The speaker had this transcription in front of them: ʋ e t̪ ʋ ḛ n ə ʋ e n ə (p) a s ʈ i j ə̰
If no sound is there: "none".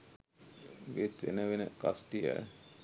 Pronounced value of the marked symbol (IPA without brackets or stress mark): k